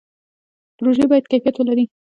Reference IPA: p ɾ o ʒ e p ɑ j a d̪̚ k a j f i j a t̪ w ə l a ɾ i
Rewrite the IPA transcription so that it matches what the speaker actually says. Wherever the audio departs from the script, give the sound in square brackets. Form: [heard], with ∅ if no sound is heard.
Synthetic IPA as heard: p ɾ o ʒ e [b] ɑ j a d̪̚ k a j f i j a t̪ w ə l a ɾ i